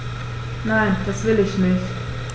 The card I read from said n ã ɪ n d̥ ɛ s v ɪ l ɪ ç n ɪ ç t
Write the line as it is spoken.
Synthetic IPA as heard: n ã ɪ n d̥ a s v ɪ l ɪ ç n ɪ ç t